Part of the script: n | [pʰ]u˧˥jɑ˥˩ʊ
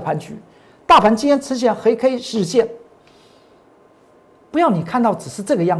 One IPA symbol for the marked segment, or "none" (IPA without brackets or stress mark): p